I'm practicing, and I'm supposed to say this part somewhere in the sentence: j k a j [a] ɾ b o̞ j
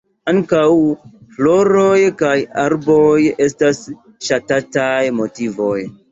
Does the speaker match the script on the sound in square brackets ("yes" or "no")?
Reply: yes